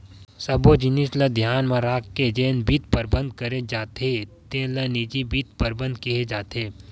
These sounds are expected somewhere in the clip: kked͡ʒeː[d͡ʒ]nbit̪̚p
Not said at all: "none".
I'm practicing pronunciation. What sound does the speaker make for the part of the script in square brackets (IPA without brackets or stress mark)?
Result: none